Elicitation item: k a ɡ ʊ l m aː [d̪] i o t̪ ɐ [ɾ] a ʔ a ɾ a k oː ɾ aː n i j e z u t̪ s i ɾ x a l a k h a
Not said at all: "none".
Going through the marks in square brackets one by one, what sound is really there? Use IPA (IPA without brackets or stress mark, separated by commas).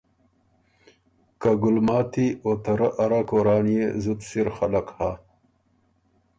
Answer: t̪, ɾ